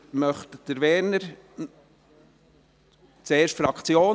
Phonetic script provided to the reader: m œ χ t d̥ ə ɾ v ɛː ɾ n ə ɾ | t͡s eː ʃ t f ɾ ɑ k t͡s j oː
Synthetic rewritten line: m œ χ t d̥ ə ɾ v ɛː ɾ n ə ɾ | t͡s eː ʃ t f ɾ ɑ k t͡s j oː